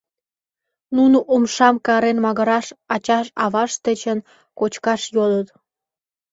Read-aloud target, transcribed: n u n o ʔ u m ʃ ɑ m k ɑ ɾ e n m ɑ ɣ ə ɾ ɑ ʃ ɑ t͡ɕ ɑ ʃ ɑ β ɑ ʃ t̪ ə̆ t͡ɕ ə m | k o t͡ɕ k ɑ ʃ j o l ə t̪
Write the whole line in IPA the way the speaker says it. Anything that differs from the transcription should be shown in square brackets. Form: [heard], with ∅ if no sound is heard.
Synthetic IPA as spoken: n u n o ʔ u m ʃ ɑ m k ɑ ɾ e n m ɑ ɣ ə ɾ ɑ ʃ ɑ t͡ɕ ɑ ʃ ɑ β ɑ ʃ t̪ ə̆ t͡ɕ ə [n] | k o t͡ɕ k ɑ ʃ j o l ə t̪